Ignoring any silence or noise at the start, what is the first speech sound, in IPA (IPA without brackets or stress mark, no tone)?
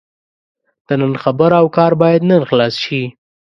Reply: d̪̥